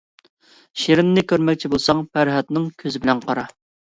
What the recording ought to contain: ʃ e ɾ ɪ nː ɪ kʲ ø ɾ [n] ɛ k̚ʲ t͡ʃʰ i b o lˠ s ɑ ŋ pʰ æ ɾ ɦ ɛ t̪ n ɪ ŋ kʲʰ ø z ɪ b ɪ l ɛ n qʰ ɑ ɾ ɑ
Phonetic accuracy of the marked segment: incorrect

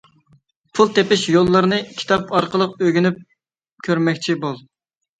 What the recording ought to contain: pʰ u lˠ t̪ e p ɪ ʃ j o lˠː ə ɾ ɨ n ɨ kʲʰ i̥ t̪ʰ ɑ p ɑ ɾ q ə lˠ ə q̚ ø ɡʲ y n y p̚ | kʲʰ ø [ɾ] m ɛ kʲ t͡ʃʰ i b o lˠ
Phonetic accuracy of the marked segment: correct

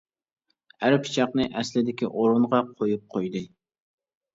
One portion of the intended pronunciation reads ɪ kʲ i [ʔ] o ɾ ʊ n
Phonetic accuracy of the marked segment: correct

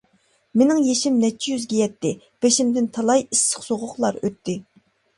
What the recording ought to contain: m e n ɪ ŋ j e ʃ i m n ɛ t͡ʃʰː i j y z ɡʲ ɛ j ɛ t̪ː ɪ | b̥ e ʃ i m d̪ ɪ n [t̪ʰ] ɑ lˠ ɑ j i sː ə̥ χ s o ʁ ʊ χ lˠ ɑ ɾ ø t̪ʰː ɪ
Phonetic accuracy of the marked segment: correct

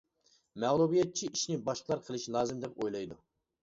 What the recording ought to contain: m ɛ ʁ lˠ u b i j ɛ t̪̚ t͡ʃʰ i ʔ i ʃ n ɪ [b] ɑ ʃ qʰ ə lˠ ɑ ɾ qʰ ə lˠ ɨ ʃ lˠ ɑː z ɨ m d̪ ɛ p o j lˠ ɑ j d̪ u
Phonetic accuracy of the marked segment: correct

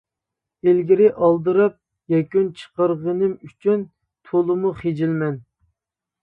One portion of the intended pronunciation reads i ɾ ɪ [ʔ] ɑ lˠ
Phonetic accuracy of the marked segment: correct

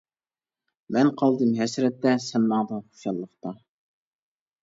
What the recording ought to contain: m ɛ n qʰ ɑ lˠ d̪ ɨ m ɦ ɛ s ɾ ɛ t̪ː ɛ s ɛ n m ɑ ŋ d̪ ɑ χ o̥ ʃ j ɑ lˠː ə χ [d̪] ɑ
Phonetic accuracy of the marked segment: incorrect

